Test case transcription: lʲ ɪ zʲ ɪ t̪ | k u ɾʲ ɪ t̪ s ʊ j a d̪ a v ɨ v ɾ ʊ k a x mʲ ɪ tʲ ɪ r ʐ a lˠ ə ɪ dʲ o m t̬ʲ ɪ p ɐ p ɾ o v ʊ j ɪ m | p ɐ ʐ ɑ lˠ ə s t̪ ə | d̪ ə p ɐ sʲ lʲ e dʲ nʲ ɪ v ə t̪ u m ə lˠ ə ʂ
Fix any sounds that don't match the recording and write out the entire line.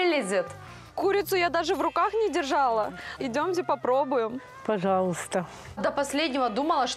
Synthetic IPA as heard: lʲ ɪ zʲ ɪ t̪ | k u ɾʲ ɪ t̪ s ʊ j a d̪ a ʐ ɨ v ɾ ʊ k a x nʲ ɪ dʲ ɪ r ʐ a lˠ ə ɪ dʲ o m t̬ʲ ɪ p ɐ p ɾ o b ʊ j ɪ m | p ɐ ʐ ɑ lˠ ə s t̪ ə | d̪ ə p ɐ sʲ lʲ e dʲ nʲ ɪ v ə d̪ u m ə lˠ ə ʂ